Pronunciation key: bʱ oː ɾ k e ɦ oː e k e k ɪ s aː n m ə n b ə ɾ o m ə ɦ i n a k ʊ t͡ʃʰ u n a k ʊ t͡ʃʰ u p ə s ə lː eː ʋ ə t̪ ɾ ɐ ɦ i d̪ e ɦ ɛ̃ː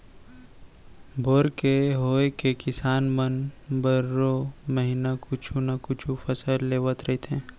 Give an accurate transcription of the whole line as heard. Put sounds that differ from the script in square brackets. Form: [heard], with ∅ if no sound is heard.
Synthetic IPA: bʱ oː ɾ k e ɦ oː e k e k ɪ s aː n m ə n b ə ɾ o m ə ɦ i n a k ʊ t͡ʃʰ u n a k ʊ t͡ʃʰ u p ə s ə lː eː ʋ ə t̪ ɾ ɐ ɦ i [t̪] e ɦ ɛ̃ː